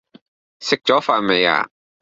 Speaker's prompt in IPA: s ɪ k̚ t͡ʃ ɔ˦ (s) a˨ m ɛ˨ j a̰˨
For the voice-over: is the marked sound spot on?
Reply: no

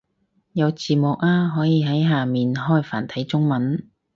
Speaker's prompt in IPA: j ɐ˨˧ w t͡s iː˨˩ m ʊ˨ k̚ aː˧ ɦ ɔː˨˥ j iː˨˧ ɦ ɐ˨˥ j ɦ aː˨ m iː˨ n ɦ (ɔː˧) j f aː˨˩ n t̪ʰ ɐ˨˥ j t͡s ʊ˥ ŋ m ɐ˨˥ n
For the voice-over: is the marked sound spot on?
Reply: no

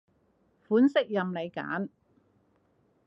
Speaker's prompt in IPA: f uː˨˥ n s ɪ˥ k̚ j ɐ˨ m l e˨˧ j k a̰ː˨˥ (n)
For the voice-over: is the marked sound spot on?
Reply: yes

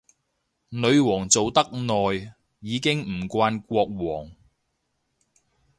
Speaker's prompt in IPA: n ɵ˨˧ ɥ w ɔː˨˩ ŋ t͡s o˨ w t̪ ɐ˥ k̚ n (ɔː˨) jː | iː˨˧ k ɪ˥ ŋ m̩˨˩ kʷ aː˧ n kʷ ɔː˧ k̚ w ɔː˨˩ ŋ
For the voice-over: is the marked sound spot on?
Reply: yes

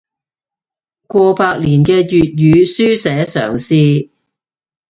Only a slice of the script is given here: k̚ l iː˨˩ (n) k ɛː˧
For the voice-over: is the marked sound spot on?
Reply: yes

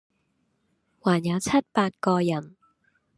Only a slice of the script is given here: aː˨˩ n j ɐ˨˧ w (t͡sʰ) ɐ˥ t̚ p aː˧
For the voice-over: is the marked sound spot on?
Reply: yes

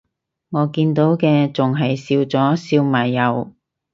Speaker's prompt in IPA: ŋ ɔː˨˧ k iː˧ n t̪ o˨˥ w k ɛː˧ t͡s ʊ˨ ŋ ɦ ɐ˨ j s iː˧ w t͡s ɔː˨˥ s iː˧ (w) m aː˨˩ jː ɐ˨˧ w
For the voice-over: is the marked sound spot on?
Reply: yes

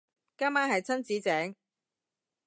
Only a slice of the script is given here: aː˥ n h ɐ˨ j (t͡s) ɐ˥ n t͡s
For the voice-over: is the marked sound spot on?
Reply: no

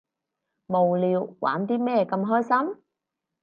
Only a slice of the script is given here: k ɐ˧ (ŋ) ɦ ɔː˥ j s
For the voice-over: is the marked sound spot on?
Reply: no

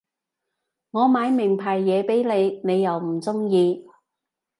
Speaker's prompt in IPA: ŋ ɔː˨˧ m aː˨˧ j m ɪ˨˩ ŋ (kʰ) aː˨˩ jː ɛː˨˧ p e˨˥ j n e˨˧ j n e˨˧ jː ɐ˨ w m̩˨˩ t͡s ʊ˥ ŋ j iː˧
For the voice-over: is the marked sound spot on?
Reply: no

